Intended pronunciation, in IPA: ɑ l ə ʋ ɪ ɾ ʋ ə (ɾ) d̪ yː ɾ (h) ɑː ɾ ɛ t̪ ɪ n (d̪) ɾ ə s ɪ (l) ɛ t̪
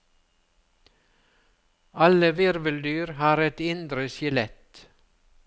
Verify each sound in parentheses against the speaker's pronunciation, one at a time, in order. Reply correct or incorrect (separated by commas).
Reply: incorrect, correct, correct, correct